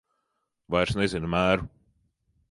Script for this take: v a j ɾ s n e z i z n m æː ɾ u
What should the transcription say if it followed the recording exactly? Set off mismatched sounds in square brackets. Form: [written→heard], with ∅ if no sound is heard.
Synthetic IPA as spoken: v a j ɾ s n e z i [z→∅] n m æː ɾ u